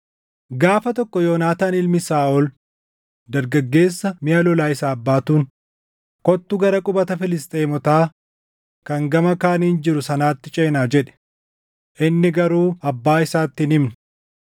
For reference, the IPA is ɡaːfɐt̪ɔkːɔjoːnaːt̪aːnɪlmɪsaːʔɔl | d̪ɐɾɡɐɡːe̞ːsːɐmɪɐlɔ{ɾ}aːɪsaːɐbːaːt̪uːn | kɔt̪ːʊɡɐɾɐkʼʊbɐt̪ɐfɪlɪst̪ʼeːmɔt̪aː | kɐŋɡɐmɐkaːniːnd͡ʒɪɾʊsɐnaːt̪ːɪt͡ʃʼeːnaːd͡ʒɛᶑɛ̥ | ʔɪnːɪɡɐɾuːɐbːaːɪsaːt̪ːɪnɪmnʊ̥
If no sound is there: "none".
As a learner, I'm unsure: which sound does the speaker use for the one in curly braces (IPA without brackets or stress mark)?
l